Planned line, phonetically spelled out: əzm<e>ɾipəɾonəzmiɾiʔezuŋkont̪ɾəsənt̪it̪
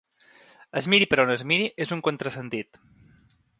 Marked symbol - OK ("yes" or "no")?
no